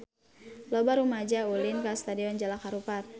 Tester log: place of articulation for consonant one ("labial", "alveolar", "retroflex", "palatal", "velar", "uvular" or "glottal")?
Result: alveolar